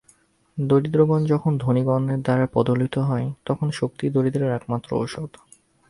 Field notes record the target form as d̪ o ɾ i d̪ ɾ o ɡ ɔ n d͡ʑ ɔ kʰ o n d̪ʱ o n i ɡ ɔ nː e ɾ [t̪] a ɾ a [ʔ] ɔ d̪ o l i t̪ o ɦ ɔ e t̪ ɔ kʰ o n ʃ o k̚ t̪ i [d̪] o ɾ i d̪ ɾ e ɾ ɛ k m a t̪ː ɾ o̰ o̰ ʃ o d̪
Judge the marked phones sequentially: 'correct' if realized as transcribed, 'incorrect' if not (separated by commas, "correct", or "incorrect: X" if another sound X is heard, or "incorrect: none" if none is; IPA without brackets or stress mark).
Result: incorrect: d̪, incorrect: p, correct